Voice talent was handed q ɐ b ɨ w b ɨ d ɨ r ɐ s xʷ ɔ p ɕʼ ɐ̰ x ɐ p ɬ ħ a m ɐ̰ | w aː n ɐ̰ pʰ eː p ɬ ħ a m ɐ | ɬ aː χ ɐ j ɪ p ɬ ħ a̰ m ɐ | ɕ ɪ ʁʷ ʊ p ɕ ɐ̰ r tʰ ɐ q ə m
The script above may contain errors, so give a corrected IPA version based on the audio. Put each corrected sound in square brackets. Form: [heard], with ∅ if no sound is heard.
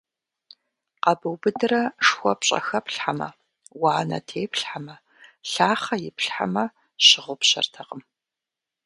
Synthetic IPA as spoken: q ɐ b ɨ w b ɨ d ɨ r ɐ [ʂ] xʷ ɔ p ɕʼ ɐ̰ x ɐ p ɬ ħ a m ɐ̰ | w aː n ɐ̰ [tʰ] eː p ɬ ħ a m ɐ | ɬ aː χ ɐ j ɪ p ɬ ħ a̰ m ɐ | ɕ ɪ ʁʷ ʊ p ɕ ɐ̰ r tʰ ɐ q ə m